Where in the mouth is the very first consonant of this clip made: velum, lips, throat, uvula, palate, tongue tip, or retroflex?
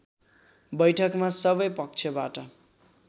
lips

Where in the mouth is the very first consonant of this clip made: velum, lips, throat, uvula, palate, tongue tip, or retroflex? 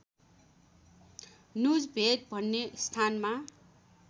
tongue tip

